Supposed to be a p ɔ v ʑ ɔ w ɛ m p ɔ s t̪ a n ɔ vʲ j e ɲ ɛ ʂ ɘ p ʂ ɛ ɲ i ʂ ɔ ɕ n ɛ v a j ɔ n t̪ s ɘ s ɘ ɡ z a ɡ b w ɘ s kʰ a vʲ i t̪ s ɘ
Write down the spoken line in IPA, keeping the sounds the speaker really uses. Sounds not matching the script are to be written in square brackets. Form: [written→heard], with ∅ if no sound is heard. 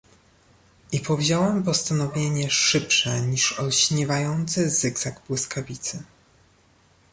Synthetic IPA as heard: [a→i] p ɔ v ʑ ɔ w ɛ m p ɔ s t̪ a n ɔ vʲ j e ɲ ɛ ʂ ɘ p ʂ ɛ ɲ i ʂ ɔ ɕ [n→ɲ] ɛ v a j ɔ n t̪ s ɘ [s→z] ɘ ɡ z a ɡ b w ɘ s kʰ a vʲ i t̪ s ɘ

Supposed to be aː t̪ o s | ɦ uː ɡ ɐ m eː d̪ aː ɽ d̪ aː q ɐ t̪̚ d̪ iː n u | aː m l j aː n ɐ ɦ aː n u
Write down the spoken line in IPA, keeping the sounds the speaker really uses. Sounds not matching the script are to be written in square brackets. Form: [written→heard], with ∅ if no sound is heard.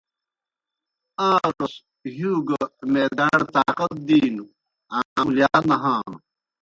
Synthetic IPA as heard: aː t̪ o s | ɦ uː ɡ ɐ m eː d̪ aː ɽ [d̪→t̪] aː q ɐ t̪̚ d̪ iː n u | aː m l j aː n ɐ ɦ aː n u

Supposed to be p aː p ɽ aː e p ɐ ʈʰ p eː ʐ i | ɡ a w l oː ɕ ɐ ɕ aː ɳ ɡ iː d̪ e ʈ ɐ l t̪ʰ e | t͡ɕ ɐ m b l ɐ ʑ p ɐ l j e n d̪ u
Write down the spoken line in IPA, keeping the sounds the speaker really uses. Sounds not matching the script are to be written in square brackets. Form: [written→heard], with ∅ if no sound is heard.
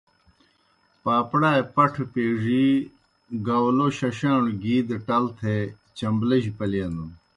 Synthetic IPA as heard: p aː p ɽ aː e p ɐ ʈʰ p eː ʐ i | ɡ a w l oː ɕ ɐ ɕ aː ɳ ɡ iː d̪ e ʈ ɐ l t̪ʰ e | t͡ɕ ɐ m b l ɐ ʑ p ɐ l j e n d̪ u

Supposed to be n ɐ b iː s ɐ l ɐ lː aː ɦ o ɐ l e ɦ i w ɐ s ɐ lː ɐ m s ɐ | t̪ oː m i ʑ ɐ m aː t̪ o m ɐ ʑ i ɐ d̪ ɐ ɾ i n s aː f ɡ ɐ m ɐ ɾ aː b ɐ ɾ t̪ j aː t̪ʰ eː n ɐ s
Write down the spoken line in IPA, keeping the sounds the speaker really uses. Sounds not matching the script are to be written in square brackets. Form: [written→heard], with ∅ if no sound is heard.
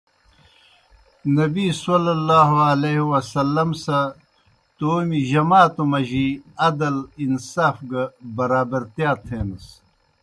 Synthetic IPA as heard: n ɐ b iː s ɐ l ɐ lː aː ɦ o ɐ l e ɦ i w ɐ s ɐ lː ɐ m s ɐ | t̪ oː m i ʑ ɐ m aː t̪ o m ɐ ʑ i ɐ d̪ ɐ [ɾ→l] i n s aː f ɡ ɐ [m→b] ɐ ɾ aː b ɐ ɾ t̪ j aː t̪ʰ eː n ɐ s

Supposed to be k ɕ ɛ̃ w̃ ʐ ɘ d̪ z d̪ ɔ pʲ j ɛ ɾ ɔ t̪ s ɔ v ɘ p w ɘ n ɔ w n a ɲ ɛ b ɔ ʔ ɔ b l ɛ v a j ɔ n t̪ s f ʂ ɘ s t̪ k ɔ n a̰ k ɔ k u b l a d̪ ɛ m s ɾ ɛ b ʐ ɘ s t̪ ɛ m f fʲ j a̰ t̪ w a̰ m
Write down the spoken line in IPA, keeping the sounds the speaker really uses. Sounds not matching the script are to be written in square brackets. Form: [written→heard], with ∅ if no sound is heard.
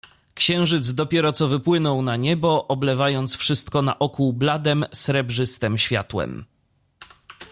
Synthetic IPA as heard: k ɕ ɛ̃ w̃ ʐ ɘ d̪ z d̪ ɔ pʲ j ɛ ɾ ɔ t̪ s ɔ v ɘ p w ɘ n ɔ w n a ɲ ɛ b ɔ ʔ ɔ b l ɛ v a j ɔ n t̪ s f ʂ ɘ s t̪ k ɔ n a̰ [k→ʔ] ɔ k u b l a d̪ ɛ m s ɾ ɛ b ʐ ɘ s t̪ ɛ m [f→ɕ] fʲ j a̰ t̪ w [a̰→ɛ̰] m

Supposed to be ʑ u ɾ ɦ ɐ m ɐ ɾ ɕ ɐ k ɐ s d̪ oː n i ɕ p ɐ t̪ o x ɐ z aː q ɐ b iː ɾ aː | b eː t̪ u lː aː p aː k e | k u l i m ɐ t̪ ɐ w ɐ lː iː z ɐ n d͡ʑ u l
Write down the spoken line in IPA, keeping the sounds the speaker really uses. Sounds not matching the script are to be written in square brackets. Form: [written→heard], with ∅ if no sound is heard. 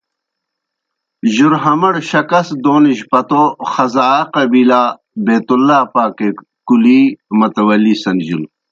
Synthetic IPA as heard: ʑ u ɾ ɦ ɐ m ɐ [ɾ→ɽ] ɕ ɐ k ɐ s d̪ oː n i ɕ p ɐ t̪ o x ɐ z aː q ɐ b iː [ɾ→l] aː | b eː t̪ u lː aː p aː k e | k u l i m ɐ t̪ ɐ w ɐ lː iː [z→s] ɐ n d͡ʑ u l

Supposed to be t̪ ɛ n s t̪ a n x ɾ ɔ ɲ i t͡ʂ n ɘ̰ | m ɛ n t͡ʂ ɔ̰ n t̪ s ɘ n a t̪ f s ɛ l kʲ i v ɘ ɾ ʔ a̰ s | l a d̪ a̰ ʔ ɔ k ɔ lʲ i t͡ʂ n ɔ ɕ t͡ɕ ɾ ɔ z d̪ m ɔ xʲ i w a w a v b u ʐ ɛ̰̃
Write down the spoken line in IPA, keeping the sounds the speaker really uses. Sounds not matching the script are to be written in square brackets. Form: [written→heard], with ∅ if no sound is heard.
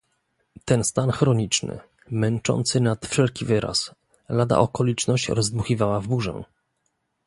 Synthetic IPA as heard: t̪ ɛ n s t̪ a n x ɾ ɔ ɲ i t͡ʂ n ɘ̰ | m ɛ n t͡ʂ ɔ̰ n t̪ s ɘ n a t̪ f [s→ʂ] ɛ l kʲ i v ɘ ɾ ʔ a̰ s | l a d̪ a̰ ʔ ɔ k ɔ lʲ i t͡ʂ n ɔ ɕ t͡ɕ ɾ ɔ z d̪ m [ɔ→u] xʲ i [w→v] a w a v b u ʐ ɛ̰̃

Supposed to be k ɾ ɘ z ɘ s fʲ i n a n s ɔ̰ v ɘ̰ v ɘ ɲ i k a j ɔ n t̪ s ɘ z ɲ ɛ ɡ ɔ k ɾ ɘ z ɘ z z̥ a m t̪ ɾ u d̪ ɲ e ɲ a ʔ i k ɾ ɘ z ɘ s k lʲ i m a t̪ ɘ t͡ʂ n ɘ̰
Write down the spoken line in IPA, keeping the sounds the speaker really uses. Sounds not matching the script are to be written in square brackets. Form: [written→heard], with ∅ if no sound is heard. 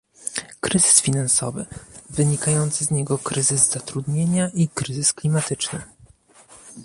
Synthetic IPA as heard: k ɾ ɘ z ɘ s fʲ i n a n s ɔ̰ v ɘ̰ v ɘ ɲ i k a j ɔ n t̪ s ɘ z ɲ ɛ ɡ ɔ k ɾ ɘ z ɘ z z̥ a [m→∅] t̪ ɾ u d̪ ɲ e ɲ a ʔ i k ɾ ɘ z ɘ s k lʲ i m a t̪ ɘ t͡ʂ n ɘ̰

